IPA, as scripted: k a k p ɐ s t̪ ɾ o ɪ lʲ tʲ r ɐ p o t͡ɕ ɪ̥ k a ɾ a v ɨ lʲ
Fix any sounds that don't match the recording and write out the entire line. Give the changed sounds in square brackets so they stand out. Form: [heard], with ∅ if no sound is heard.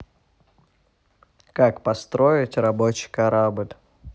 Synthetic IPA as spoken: k a k p ɐ s t̪ ɾ o ɪ [∅] tʲ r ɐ [b] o t͡ɕ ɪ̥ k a ɾ a [b] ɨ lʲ